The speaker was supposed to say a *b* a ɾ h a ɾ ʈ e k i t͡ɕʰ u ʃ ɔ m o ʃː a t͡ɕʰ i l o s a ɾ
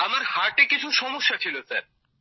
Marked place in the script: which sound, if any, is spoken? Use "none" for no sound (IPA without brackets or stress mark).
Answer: m